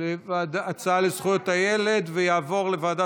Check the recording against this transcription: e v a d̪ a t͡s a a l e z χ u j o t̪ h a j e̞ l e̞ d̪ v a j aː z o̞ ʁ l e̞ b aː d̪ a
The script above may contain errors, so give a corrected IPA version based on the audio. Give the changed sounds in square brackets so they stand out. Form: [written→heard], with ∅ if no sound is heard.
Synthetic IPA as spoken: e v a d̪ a t͡s a a l e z χ u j o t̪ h a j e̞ l e̞ d̪ v [a→e] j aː [z→v] o̞ ʁ l e̞ [b→v] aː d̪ a